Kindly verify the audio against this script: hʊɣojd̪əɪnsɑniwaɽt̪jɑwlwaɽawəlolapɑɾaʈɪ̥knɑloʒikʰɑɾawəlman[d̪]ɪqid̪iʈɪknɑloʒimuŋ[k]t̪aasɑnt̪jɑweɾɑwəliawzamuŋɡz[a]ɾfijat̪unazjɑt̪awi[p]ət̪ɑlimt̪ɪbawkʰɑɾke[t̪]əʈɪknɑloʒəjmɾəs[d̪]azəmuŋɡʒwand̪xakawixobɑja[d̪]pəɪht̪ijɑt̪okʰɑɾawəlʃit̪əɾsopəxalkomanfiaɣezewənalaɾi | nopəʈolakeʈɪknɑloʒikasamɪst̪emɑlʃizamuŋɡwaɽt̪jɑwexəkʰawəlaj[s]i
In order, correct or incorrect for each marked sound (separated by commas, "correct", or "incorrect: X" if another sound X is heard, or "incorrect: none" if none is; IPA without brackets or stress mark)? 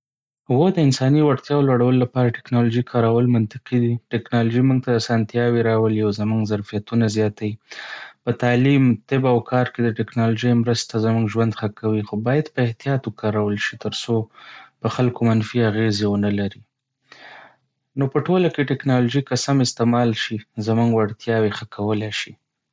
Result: incorrect: t̪, incorrect: ɡ, correct, correct, incorrect: d̪, incorrect: t̪, correct, incorrect: ʃ